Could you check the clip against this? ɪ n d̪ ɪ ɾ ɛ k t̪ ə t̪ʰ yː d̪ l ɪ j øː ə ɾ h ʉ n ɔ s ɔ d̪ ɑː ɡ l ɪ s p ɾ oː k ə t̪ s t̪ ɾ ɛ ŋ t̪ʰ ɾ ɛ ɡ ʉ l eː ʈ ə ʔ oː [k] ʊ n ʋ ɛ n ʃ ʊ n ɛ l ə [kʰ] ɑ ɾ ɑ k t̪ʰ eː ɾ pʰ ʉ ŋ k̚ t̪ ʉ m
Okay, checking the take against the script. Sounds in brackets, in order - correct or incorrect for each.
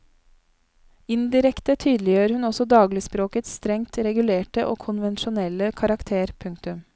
incorrect, correct

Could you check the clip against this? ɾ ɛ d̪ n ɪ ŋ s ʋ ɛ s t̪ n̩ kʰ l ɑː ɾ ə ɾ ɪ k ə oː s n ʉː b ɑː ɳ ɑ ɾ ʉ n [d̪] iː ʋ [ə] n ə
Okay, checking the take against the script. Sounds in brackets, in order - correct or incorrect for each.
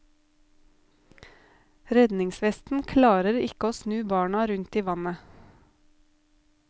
incorrect, incorrect

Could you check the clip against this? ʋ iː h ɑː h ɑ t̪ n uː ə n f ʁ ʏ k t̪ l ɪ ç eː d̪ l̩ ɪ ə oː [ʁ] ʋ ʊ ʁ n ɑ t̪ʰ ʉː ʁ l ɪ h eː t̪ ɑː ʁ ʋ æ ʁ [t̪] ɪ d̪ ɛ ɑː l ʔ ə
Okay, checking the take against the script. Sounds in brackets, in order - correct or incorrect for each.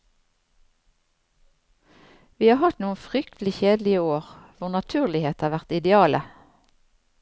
correct, correct

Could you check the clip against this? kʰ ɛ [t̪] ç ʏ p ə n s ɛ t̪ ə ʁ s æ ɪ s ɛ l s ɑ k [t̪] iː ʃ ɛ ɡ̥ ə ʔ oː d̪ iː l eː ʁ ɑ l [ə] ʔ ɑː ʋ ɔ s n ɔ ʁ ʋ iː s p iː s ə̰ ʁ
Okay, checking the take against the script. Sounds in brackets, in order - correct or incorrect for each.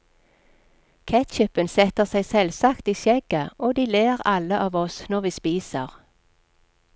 correct, correct, correct

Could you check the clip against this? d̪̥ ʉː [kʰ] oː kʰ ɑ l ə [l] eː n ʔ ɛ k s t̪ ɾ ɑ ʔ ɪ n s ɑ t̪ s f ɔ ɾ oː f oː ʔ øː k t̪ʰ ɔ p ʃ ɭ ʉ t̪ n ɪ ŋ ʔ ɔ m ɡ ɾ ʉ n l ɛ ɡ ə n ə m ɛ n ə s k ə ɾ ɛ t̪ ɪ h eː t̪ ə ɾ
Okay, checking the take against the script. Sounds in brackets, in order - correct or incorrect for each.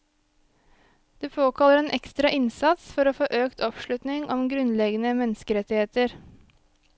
incorrect, incorrect

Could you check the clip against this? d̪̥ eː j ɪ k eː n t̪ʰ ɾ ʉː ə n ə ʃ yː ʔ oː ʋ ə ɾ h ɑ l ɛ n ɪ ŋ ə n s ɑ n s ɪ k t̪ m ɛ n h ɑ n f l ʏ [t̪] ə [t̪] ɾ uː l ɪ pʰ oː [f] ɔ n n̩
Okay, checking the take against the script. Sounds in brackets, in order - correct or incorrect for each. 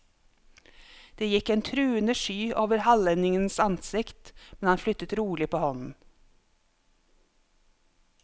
correct, correct, incorrect

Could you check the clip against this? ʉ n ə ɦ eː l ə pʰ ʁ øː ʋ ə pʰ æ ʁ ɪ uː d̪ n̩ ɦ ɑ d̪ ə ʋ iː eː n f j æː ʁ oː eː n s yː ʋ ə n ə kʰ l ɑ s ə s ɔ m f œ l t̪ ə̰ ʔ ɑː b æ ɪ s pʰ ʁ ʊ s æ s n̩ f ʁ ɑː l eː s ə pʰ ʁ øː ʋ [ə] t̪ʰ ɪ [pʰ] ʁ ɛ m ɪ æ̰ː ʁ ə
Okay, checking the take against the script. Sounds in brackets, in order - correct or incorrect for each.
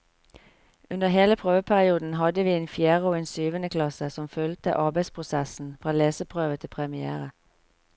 correct, correct

